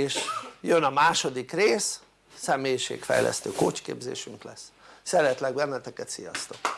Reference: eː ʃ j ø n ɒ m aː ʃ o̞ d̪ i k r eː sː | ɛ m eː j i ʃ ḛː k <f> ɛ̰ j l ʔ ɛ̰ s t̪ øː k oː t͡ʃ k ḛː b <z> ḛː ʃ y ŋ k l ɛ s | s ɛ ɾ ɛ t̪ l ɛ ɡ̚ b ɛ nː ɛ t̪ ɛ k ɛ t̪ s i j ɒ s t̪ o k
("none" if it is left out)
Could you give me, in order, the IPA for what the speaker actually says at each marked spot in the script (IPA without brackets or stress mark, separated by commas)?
f, z